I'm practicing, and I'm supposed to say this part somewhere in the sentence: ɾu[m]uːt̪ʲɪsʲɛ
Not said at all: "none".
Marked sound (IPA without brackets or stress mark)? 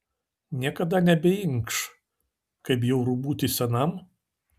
b